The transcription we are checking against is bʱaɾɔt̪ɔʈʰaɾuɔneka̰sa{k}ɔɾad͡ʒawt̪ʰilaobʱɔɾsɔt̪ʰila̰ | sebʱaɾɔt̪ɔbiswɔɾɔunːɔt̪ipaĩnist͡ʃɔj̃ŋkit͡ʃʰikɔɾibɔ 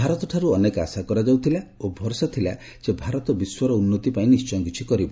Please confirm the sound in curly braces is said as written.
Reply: yes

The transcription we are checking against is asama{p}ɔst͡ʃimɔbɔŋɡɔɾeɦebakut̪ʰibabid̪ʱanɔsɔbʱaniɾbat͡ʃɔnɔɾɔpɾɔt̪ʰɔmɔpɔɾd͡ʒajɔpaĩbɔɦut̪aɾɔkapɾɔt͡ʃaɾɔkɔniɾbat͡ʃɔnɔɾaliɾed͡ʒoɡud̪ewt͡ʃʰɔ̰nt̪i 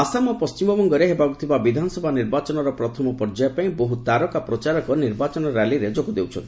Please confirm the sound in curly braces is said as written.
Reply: yes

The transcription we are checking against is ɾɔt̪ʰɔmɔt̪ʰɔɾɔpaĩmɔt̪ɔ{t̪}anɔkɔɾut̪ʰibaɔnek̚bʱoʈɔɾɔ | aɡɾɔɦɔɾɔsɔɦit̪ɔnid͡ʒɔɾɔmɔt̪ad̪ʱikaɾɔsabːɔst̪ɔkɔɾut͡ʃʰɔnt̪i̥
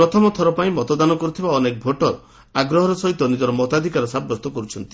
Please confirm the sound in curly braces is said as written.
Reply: no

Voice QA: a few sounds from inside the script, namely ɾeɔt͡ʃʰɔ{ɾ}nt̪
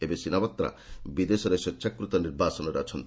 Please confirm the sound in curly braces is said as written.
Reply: no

